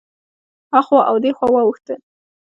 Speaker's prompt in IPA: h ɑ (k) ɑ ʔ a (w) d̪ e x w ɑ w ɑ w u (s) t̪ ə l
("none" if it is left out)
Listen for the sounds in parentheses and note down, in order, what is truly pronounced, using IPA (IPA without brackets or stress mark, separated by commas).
x, w, x